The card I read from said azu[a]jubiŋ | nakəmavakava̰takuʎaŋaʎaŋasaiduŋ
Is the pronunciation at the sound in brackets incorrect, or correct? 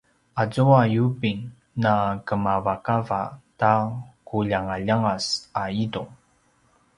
correct